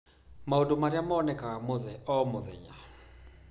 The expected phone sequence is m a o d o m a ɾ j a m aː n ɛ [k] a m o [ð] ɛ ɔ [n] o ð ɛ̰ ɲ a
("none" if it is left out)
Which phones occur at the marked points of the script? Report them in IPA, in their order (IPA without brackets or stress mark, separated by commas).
k, ð, m